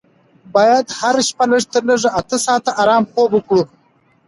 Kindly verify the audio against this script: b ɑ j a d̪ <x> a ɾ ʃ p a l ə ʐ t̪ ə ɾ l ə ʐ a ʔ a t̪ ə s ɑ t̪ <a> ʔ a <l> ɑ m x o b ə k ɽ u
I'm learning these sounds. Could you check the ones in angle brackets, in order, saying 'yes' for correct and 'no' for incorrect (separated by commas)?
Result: no, yes, no